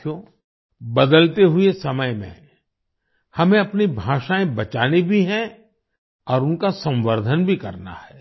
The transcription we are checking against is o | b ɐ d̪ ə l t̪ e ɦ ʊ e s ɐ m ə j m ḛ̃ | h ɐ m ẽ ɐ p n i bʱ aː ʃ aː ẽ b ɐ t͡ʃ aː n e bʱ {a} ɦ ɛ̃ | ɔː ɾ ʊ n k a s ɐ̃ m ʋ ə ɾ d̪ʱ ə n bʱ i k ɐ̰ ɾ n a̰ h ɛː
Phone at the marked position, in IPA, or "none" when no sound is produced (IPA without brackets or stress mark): i